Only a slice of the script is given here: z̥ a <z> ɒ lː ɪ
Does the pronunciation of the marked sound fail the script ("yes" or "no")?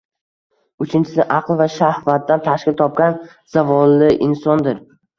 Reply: yes